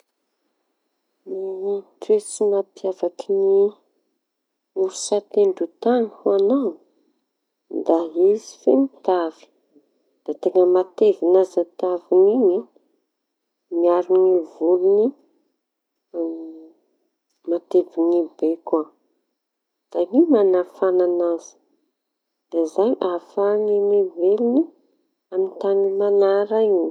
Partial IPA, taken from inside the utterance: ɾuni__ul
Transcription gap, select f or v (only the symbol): v